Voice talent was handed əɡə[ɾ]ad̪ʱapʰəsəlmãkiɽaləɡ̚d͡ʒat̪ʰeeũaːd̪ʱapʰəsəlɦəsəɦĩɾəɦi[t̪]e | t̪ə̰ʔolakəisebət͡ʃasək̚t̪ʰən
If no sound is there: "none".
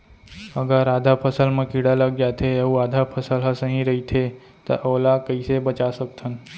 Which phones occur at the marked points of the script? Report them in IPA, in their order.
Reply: ɾ, t̪ʰ

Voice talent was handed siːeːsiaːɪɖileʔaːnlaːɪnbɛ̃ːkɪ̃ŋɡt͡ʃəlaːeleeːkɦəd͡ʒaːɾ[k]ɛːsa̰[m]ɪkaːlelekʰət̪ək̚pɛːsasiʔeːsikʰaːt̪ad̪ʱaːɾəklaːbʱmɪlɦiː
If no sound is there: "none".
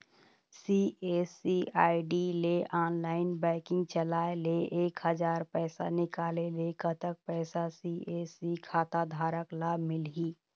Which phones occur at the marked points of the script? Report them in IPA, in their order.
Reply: p, n

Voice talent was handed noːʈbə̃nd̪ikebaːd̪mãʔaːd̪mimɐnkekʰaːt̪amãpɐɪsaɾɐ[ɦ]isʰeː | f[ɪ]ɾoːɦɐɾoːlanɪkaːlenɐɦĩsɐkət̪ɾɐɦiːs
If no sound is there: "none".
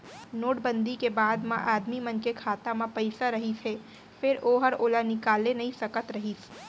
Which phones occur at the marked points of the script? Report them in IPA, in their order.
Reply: ɦ, ɪ

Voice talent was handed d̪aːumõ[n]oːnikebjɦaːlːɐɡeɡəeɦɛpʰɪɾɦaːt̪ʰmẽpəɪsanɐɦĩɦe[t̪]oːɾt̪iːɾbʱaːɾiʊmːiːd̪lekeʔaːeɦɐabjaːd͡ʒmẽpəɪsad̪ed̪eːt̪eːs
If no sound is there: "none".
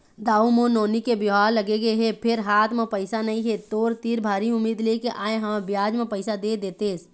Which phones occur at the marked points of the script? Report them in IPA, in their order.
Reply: n, t̪

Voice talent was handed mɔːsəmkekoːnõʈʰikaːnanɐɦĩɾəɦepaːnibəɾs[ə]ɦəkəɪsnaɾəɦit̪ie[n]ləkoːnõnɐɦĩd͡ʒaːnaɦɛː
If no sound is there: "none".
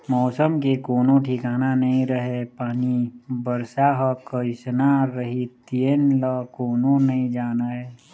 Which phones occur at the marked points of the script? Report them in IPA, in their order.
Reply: a, n

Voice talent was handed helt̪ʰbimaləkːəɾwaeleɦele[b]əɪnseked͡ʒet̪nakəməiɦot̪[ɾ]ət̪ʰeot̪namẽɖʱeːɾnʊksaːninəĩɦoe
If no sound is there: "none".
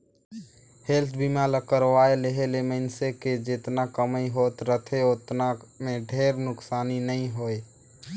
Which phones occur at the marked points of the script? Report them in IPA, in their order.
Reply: m, ɾ

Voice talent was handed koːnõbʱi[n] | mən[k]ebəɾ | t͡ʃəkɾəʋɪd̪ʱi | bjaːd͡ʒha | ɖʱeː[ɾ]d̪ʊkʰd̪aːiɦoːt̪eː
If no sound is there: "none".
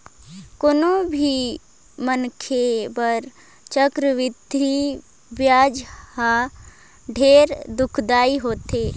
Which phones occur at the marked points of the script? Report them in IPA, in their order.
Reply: none, kʰ, ɾ

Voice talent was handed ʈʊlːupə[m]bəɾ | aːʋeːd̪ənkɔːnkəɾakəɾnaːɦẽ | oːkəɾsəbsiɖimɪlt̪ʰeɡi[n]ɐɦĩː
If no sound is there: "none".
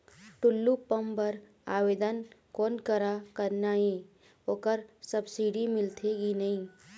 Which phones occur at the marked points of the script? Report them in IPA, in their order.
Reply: m, n

